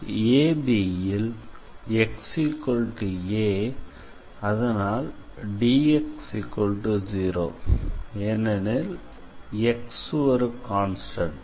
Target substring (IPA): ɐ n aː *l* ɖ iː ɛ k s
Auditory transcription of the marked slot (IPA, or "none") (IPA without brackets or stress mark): l